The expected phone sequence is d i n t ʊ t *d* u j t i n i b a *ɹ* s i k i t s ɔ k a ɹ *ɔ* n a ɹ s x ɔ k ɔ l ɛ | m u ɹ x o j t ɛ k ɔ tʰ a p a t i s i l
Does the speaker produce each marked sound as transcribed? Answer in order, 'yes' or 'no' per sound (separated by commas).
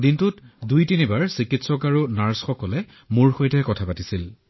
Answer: yes, yes, no